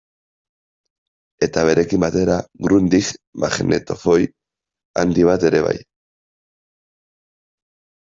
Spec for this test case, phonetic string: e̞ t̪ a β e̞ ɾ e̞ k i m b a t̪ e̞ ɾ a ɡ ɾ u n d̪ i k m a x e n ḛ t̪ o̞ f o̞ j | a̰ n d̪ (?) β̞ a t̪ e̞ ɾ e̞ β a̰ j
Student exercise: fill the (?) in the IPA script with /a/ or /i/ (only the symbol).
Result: i